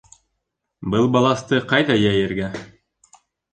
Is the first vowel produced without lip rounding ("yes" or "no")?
yes